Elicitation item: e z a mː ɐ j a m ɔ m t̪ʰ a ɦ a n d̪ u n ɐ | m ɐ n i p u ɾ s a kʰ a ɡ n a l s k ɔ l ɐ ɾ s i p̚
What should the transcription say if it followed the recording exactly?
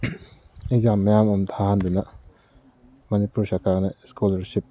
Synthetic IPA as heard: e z a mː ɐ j a m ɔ m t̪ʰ a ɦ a n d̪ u n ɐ | m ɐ n i p u ɾ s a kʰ a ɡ n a s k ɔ l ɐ ɾ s i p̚

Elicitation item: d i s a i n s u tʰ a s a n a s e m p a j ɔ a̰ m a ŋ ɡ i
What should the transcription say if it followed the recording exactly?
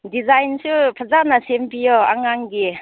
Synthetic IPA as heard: d i z a j n s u pʰ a z a n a s e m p i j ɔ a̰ ŋ a ŋ ɡ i

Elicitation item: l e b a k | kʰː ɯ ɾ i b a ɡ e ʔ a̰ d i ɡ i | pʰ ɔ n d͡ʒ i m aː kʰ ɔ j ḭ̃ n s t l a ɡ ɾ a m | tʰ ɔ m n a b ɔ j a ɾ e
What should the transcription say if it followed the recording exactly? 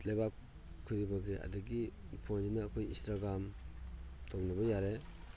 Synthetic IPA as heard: l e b a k | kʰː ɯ ɾ i b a ɡ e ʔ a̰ d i ɡ i | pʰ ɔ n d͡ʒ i n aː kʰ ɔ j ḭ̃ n s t ɾ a ɡ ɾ a m | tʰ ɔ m n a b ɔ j a ɾ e

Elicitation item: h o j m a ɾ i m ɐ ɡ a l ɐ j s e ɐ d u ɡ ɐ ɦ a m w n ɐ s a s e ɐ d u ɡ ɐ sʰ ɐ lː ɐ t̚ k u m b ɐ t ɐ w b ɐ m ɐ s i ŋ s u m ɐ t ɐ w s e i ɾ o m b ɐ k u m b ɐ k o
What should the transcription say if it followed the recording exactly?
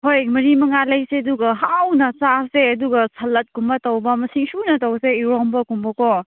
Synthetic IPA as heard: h o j m ɐ ɾ i m ɐ ŋ a l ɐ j s e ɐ d u ɡ ɐ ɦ a w n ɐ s a s e ɐ d u ɡ ɐ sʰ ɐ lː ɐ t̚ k u m b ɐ t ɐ w b ɐ m ɐ s i ŋ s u n ɐ t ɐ w s e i ɾ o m b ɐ k u m b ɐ k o

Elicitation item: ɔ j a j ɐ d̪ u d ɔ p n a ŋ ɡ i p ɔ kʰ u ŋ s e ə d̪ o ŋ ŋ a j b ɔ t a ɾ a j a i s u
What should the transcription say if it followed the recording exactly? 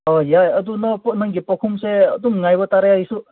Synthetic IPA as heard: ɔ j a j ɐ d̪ u n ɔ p n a ŋ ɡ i p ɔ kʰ u m s e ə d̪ u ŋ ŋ a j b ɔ t a ɾ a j a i s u

